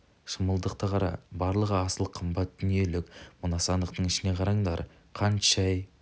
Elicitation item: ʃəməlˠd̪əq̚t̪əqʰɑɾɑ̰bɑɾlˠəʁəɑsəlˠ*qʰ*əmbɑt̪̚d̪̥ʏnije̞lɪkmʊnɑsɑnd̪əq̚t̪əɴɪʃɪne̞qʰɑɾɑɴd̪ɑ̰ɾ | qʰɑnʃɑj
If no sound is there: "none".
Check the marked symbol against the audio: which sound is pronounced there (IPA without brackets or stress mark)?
qʰ